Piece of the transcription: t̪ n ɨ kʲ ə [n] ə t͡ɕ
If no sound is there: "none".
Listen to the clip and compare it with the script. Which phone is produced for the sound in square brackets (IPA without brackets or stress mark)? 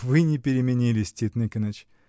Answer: n